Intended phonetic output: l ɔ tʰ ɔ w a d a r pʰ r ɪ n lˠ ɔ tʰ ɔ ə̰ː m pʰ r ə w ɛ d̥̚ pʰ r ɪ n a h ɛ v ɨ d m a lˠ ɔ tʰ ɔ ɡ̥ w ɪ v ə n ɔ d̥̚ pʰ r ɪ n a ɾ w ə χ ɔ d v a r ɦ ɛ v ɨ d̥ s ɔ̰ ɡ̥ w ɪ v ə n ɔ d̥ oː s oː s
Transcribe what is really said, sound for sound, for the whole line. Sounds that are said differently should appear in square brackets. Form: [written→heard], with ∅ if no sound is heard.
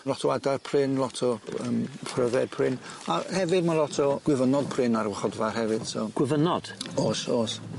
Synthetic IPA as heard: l ɔ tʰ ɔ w a d a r pʰ r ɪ n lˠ ɔ tʰ ɔ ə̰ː m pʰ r ə [w→v] ɛ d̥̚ pʰ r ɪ n a h ɛ v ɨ d m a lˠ ɔ tʰ ɔ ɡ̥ w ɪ v ə n ɔ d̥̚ pʰ r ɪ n a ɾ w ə χ ɔ d v a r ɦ ɛ v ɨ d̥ s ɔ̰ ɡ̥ w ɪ v ə n ɔ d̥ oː s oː s